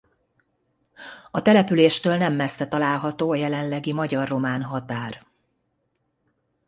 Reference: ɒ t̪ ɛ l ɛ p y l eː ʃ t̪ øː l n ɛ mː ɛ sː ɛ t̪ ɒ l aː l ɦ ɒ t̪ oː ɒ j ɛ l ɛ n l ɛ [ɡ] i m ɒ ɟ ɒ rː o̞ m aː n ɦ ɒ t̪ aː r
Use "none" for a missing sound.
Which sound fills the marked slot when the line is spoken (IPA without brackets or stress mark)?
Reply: ɡ